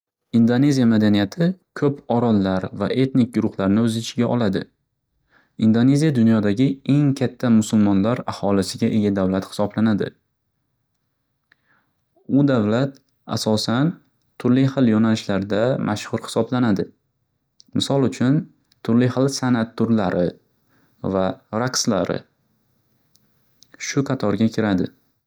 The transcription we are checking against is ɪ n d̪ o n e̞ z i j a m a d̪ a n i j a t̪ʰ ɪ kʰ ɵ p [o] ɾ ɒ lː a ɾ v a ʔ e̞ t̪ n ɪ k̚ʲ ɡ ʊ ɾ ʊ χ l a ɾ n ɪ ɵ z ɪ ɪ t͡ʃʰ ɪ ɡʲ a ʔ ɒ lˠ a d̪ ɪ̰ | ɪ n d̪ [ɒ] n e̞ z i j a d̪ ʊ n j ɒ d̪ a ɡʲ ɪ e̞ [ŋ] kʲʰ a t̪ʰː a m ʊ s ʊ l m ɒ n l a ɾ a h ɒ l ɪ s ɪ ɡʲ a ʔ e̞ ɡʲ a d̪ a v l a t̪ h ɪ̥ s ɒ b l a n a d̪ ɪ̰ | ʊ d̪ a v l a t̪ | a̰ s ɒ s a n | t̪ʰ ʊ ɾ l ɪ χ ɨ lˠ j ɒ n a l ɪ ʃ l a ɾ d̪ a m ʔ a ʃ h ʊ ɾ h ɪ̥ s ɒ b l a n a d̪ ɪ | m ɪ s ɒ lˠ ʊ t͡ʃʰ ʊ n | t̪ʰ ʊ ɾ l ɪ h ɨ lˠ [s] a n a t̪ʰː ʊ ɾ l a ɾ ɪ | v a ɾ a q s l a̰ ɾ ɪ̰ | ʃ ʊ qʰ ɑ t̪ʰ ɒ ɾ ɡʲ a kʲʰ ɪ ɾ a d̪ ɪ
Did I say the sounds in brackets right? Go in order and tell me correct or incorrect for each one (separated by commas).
incorrect, incorrect, correct, correct